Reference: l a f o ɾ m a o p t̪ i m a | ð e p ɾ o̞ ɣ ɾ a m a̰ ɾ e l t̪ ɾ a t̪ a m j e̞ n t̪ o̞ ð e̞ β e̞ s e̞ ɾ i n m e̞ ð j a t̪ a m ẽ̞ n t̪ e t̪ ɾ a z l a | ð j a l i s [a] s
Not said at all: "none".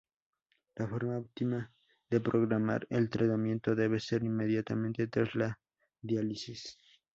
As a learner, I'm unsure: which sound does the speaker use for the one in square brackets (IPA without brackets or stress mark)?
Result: i